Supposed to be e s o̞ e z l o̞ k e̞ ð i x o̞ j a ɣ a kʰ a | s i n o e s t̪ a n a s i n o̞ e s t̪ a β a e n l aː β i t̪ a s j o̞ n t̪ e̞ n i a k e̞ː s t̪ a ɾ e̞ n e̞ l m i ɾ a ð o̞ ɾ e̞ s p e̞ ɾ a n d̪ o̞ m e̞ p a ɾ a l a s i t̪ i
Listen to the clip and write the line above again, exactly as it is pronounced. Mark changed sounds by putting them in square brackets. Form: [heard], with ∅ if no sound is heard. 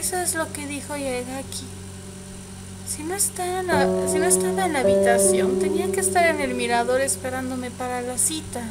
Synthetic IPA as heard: e s o̞ e z l o̞ k e̞ ð i x o̞ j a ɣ a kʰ [i] | s i n o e s t̪ a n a s i n o̞ e s t̪ a β a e n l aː β i t̪ a s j o̞ n t̪ e̞ n i a k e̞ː s t̪ a ɾ e̞ n e̞ l m i ɾ a ð o̞ ɾ e̞ s p e̞ ɾ a n d̪ o̞ m e̞ p a ɾ a l a s i t̪ [a]